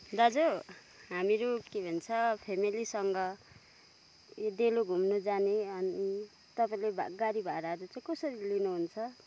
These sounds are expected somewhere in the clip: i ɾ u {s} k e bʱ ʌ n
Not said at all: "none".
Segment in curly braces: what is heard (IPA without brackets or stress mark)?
none